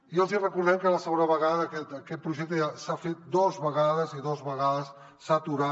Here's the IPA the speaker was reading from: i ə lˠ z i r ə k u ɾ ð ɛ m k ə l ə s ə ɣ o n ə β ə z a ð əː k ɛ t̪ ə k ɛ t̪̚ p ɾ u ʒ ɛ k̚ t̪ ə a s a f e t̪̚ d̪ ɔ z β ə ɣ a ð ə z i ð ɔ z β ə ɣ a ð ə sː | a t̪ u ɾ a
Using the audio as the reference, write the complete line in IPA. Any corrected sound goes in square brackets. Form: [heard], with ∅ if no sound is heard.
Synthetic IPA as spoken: i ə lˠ z i r ə k u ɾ ð ɛ m k ə l ə s ə ɣ o n ə β ə [ɣ] a ð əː k ɛ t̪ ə k ɛ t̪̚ p ɾ u ʒ ɛ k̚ t̪ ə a s a f e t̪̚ d̪ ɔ z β ə ɣ a ð ə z i ð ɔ z β ə ɣ a ð ə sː | a t̪ u ɾ a